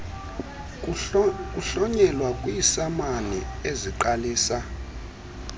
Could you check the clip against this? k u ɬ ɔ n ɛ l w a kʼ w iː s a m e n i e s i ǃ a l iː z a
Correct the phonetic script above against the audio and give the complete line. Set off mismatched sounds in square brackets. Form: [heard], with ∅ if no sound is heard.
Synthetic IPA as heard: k u ɬ ɔ [ɲ] ɛ l w a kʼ w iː s a m [a] n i e [z] i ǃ a l iː [s] a